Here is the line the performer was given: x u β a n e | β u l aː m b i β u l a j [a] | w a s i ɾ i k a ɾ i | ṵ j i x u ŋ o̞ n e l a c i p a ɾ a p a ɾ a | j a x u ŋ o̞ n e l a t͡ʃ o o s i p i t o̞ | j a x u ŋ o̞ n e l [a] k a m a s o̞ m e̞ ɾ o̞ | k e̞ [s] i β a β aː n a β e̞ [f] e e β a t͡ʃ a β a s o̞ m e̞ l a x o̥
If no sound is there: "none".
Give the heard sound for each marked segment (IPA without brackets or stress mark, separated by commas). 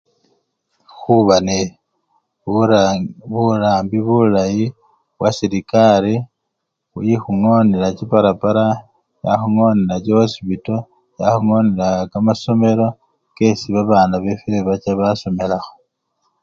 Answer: i, a, s, f